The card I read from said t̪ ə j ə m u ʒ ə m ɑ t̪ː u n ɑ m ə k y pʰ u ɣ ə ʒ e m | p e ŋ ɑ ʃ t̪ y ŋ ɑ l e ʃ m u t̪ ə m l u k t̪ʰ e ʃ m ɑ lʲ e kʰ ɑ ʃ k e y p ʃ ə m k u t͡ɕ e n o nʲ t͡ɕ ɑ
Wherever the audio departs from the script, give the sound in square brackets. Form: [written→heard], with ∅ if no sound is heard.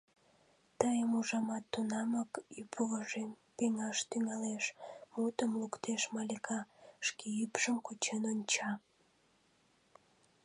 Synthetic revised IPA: t̪ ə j ə m u ʒ [ə→ɑ] m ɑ t̪ː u n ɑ m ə k y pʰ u ɣ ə ʒ e m | p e ŋ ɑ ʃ t̪ y ŋ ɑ l e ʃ m u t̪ ə m l u k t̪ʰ e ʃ m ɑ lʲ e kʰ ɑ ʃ k e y p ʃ ə m k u t͡ɕ e n o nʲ t͡ɕ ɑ